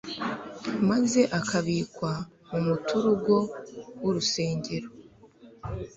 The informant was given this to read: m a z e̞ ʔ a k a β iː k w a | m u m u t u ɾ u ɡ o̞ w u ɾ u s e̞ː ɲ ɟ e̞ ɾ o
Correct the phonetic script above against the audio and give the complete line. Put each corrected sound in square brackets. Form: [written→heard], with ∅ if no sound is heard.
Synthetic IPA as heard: m a z e̞ ʔ a k a β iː k w a | m u m u t u ɾ u ɡ o̞ w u ɾ u s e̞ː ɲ ɟ e̞ ɾ o